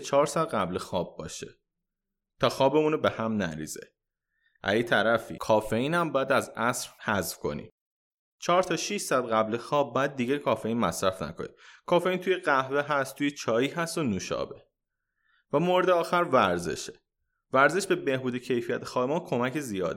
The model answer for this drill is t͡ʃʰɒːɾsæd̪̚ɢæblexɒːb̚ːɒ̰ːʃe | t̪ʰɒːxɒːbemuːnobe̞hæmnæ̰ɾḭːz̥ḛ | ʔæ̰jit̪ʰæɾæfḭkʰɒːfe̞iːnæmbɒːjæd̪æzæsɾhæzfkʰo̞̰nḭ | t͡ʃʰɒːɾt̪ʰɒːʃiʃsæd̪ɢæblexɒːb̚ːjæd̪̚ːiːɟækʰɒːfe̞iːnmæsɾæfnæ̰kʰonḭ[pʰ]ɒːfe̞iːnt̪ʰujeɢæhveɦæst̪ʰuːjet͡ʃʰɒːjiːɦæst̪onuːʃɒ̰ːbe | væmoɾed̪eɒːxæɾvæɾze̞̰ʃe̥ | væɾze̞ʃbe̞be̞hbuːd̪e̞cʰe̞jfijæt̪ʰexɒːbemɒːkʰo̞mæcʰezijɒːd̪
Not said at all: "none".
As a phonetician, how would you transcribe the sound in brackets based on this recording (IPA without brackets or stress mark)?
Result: kʰ